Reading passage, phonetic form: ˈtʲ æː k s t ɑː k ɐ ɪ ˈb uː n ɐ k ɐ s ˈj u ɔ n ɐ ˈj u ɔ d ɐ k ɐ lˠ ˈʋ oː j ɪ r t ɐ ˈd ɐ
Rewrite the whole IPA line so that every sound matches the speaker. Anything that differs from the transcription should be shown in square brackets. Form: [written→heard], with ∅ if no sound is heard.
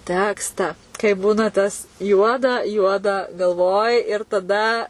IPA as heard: ˈtʲ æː k s t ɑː k ɐ ɪ ˈb uː n ɐ [k→t] ɐ s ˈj u ɔ [n→d] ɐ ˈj u ɔ d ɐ [k→ɡ] ɐ lˠ ˈʋ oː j ɪ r t ɐ ˈd ɐ